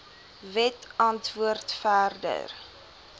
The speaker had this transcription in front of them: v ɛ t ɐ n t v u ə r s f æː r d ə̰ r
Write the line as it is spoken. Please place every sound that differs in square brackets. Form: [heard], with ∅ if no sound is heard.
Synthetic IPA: v ɛ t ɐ n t v u ə r [t] f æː r d ə̰ r